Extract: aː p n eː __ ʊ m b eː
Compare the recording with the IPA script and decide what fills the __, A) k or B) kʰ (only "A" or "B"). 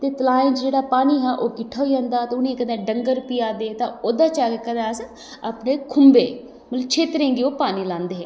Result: B